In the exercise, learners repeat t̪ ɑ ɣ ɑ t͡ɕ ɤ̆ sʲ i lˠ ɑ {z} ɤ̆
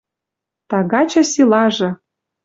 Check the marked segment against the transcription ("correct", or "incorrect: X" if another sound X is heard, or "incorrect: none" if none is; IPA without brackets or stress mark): incorrect: ʒ